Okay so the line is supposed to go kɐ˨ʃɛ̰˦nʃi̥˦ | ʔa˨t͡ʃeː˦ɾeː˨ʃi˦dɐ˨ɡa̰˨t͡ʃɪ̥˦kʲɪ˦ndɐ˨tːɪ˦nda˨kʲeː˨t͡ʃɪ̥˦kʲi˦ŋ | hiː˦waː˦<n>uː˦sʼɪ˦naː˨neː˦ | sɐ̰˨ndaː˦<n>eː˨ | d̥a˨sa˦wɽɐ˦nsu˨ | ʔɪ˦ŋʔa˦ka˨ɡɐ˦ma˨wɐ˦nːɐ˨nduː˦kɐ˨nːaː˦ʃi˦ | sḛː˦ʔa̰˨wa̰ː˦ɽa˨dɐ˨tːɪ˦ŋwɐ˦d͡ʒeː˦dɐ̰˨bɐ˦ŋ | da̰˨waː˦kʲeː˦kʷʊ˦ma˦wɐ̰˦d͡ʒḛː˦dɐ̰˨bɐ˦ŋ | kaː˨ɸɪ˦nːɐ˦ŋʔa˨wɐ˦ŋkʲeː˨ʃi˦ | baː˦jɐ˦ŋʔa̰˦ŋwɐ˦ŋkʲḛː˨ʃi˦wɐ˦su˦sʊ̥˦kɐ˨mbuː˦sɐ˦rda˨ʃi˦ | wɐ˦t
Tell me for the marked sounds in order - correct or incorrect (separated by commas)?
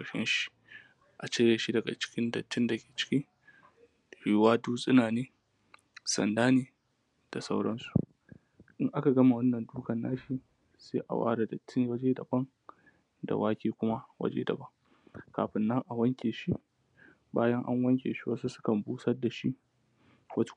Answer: incorrect, correct